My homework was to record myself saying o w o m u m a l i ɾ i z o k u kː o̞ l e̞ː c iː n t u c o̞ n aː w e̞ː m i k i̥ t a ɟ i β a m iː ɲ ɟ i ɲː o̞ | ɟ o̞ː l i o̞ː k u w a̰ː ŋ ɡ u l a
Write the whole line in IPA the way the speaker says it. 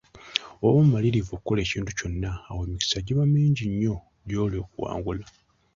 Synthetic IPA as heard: o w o m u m a l i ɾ i v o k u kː o̞ l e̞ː c iː n t u c o̞ nː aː w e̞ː m i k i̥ s a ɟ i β a m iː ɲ ɟ i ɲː o̞ | ɟ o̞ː l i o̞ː k u w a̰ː ŋ ɡ u l a